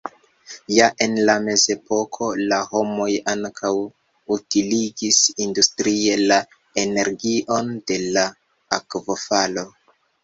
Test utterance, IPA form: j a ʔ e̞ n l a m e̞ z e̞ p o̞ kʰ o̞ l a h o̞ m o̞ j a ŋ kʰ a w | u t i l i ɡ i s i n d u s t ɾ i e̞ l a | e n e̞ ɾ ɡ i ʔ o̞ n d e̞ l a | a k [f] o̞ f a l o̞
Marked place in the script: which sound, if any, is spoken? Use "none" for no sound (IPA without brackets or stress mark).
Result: v